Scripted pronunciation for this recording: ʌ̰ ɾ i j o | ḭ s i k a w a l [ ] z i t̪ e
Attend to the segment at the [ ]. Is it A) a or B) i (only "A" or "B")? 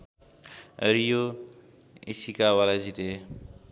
A